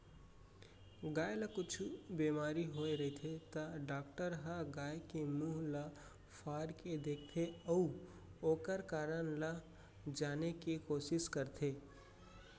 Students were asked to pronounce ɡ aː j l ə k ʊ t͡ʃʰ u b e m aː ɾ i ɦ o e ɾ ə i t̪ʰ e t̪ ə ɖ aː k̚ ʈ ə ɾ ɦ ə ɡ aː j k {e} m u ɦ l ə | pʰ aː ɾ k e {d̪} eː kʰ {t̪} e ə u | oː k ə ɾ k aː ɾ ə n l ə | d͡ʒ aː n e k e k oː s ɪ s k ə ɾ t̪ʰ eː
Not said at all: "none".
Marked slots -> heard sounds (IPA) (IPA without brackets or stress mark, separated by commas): e, d̪, t̪ʰ